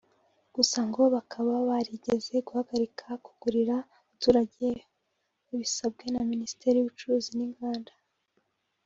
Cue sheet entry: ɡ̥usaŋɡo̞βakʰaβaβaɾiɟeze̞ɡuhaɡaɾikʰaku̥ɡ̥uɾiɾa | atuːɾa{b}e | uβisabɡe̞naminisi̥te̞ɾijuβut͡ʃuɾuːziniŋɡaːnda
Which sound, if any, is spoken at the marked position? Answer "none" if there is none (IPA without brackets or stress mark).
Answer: ɟ